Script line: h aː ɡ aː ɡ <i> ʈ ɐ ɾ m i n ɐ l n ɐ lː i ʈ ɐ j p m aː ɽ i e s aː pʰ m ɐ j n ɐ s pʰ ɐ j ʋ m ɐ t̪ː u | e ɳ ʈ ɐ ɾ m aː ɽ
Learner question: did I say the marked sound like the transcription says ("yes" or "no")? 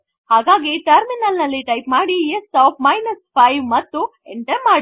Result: yes